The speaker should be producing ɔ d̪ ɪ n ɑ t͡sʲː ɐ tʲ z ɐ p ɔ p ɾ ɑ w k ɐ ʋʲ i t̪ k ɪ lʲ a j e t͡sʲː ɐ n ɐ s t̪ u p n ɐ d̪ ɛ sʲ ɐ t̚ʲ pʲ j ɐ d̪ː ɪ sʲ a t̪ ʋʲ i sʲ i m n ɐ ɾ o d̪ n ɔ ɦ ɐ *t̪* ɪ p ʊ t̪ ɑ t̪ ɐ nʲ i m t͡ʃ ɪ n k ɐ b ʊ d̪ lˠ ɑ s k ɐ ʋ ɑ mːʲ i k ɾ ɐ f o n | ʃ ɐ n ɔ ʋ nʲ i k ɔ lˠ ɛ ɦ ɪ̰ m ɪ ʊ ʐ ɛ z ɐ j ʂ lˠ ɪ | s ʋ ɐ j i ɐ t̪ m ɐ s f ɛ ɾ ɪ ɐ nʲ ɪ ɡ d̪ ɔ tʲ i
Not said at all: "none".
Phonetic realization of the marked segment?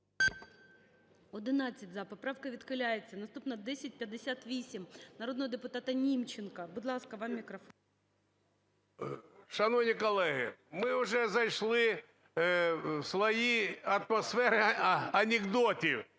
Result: d̪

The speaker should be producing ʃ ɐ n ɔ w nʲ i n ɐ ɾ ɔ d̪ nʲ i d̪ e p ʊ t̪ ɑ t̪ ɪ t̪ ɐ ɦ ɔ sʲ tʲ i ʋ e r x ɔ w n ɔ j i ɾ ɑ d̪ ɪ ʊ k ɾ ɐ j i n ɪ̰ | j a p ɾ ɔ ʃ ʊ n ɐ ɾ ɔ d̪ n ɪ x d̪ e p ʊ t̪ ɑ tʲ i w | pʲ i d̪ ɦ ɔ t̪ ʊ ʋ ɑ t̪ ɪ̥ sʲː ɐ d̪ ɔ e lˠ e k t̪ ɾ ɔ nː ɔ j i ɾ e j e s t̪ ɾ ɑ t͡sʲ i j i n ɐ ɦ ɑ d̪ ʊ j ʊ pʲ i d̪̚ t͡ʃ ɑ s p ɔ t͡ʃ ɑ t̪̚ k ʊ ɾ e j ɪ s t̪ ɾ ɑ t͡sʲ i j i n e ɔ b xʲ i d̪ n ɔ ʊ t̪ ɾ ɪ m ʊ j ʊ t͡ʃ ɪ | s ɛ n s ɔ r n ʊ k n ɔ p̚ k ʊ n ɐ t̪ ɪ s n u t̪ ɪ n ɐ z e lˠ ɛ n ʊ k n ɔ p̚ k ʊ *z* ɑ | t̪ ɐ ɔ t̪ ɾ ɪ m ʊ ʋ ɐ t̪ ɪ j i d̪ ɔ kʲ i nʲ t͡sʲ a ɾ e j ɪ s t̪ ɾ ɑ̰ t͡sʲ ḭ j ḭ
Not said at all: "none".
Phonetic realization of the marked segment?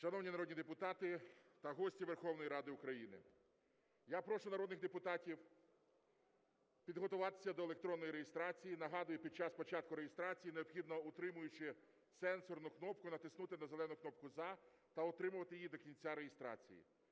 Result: z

